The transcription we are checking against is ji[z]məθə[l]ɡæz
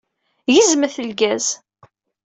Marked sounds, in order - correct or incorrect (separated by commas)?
correct, correct